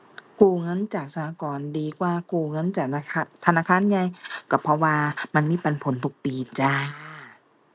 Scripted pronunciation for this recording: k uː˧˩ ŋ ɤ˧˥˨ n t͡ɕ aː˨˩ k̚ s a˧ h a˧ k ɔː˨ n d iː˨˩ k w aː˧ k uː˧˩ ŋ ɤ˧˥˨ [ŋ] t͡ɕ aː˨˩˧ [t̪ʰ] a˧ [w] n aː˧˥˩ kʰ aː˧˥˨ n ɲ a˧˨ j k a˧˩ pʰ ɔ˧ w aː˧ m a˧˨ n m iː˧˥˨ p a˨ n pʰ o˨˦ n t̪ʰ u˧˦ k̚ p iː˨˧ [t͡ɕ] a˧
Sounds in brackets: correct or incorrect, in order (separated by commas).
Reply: incorrect, correct, incorrect, correct